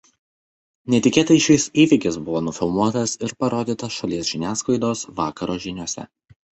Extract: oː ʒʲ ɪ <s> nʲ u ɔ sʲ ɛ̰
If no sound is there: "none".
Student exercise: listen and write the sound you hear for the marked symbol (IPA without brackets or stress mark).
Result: none